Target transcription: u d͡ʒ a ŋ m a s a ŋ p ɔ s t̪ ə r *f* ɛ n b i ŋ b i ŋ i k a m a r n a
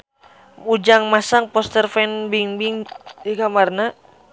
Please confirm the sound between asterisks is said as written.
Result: yes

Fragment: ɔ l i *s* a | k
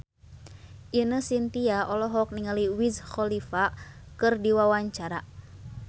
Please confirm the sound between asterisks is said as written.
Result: no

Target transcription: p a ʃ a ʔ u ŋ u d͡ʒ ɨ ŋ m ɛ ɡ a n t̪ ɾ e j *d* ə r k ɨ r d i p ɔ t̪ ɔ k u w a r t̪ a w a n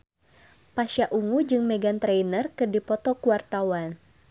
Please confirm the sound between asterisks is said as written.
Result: no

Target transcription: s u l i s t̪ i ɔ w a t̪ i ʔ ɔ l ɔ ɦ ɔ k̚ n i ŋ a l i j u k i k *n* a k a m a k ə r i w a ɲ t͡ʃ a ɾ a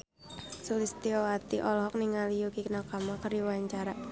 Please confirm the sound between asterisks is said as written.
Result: yes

